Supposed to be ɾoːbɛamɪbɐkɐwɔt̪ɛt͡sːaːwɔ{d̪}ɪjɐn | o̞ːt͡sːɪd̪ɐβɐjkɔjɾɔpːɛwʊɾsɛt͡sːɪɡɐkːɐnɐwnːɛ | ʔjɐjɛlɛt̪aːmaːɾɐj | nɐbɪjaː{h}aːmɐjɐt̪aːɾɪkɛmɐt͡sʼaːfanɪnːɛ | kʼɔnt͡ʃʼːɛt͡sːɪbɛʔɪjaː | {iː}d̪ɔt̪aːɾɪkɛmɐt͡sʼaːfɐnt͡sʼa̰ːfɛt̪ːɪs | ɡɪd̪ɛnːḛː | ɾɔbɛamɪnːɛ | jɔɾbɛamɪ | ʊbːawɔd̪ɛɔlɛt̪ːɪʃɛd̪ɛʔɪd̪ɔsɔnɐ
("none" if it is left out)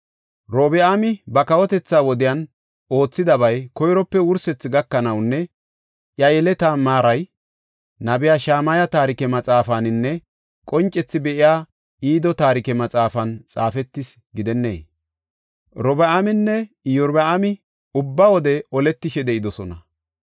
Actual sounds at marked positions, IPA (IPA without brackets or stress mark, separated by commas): d̪, ʃ, iː